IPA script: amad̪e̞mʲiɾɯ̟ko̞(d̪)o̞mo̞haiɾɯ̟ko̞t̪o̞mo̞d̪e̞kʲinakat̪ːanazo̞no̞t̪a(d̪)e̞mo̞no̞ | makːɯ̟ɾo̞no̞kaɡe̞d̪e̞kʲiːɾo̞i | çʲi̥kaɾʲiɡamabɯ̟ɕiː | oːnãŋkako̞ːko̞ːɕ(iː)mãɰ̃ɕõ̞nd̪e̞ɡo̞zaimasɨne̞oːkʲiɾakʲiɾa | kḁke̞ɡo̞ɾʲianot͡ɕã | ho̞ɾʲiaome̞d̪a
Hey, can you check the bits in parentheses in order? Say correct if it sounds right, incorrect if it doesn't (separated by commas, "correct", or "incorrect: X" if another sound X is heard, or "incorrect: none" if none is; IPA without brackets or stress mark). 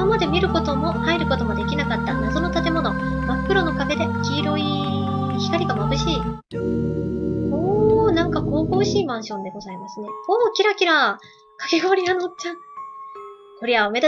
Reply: incorrect: t̪, incorrect: t̪, correct